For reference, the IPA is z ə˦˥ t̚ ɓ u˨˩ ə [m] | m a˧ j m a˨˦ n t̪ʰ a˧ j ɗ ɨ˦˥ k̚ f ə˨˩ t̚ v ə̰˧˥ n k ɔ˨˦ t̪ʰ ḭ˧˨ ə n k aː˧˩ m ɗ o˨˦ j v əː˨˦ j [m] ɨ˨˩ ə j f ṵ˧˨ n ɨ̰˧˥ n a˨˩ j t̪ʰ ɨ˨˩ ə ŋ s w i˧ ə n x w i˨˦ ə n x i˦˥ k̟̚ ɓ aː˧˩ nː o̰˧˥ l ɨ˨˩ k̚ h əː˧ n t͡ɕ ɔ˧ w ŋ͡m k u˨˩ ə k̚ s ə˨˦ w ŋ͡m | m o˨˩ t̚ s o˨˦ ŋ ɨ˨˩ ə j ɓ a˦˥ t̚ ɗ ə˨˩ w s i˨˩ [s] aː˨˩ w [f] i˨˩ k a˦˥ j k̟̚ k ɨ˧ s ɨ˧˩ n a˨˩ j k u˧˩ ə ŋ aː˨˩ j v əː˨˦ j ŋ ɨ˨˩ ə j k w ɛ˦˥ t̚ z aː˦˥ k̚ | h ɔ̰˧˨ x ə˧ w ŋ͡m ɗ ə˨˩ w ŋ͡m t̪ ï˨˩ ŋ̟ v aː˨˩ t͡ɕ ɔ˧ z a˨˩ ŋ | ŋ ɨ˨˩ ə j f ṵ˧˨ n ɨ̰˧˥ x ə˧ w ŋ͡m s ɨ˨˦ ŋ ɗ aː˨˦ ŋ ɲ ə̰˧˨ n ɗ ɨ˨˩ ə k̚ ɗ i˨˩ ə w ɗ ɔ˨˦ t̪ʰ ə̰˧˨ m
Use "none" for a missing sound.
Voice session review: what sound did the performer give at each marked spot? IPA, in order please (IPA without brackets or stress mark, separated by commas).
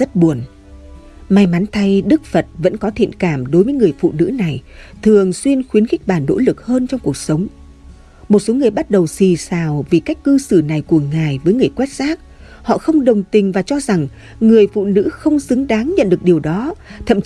n, ŋ, s, v